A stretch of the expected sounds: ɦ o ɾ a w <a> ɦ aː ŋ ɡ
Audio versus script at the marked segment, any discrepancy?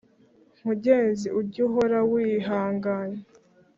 yes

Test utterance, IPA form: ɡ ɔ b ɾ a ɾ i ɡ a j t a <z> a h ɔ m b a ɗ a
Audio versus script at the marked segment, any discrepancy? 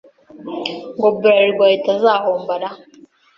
no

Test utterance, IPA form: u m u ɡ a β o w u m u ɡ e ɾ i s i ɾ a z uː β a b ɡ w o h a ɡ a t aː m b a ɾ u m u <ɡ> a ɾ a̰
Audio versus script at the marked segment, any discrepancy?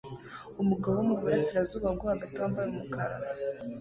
yes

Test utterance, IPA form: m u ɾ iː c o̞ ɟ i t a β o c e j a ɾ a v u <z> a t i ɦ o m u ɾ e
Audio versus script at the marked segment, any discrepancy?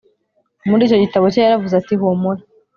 no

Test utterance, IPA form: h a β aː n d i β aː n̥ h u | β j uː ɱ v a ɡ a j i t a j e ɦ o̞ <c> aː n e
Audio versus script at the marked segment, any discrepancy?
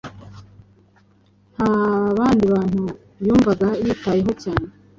no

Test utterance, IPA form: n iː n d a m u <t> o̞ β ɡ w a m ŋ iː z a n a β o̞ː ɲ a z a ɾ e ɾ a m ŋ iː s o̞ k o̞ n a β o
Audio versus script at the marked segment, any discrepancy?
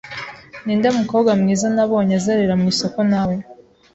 yes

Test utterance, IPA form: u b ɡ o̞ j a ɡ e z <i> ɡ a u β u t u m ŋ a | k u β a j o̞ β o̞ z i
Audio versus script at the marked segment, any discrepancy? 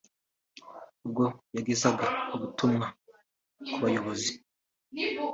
yes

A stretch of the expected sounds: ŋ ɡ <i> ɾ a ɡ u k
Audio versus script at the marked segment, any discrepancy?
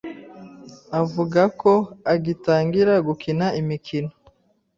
no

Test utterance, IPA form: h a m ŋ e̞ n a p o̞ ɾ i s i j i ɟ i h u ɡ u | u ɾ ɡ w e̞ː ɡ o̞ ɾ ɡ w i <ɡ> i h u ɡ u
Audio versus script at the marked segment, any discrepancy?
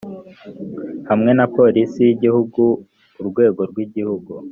yes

